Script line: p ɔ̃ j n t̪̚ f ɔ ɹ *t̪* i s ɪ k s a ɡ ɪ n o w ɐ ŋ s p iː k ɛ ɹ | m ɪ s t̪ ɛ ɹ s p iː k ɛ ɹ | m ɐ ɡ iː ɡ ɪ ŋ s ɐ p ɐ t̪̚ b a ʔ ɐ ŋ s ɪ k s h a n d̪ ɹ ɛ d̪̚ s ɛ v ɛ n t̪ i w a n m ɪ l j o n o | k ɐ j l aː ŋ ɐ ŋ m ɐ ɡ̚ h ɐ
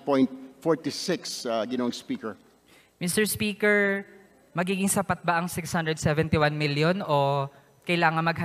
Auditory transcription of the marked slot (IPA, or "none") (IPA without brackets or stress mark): t̪